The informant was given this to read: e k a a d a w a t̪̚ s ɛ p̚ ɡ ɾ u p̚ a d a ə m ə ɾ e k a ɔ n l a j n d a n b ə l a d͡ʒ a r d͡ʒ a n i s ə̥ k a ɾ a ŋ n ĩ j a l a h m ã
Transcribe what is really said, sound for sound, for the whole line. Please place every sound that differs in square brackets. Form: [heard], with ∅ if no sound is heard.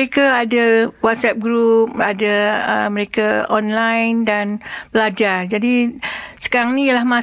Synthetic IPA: e k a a d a w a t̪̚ s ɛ p̚ ɡ ɾ u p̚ a d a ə m ə ɾ e k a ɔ n l a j n d a n b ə l a d͡ʒ a r d͡ʒ a [d] i s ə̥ k a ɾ a ŋ n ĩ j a l a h m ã